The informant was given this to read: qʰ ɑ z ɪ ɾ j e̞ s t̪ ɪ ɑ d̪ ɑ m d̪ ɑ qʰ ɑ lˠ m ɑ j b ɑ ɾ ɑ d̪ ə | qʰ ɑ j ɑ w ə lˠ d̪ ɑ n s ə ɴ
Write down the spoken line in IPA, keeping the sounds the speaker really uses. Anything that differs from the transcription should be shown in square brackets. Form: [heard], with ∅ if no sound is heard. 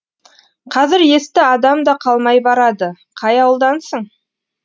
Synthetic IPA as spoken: qʰ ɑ z ɪ ɾ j e̞ s t̪ ɪ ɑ d̪ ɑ m d̪ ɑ qʰ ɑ lˠ m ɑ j b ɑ ɾ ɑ d̪ ə | qʰ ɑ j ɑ w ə lˠ d̪ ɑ n s ə ɴ